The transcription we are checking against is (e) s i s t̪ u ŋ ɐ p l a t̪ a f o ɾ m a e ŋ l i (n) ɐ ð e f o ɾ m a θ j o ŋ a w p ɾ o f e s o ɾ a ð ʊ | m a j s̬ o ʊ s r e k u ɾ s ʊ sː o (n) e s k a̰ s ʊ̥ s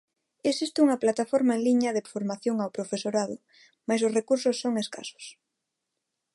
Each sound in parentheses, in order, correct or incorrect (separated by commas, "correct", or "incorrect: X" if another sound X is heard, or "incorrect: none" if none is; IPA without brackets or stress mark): correct, incorrect: ɲ, incorrect: ŋ